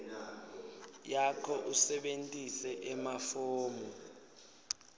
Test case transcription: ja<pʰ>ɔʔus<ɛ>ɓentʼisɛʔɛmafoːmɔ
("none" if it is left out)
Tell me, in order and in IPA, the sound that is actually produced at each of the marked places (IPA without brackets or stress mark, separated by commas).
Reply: kʰ, ɛ